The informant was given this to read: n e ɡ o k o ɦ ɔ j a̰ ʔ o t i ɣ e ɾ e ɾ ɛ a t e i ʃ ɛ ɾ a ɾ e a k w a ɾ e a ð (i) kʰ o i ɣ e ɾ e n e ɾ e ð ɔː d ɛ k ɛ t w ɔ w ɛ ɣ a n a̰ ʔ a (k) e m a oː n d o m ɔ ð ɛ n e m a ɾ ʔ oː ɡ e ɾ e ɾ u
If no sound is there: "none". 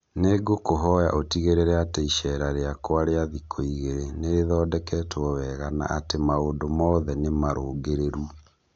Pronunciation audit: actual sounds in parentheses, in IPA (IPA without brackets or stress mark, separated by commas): i, t